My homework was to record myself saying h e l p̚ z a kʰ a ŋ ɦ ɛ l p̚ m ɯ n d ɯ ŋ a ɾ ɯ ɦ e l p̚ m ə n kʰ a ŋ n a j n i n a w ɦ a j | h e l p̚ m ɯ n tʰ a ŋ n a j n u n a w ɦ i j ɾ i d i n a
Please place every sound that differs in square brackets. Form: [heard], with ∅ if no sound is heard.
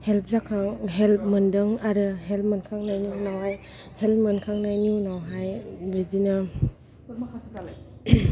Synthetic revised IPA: h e l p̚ z a kʰ a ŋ ɦ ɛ l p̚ m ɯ n d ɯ ŋ a ɾ ɯ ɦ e l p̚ m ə n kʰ a ŋ n a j n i n a w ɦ a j | h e l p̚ m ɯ n [kʰ] a ŋ n a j n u n a w ɦ [a] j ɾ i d i n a